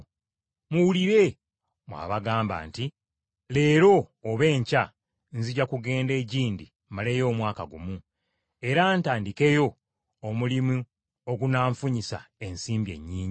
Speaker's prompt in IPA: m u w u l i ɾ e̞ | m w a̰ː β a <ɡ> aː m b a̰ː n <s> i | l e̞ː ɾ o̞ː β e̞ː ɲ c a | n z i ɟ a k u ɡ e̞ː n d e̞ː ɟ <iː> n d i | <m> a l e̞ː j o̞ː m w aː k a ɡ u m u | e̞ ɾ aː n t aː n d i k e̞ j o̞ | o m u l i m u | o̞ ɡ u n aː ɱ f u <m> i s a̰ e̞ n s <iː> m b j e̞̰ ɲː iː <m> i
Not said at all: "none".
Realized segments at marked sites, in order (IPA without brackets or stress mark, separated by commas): ɡ, t, iː, m, ɲ, iː, ɲ